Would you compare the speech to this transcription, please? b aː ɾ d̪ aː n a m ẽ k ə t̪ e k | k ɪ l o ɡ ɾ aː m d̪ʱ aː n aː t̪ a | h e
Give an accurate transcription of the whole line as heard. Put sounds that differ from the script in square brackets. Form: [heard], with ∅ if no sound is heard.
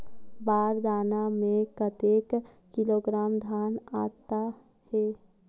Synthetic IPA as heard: b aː ɾ d̪ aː n a m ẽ k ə t̪ e k | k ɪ l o ɡ ɾ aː m d̪ʱ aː n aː t̪ a | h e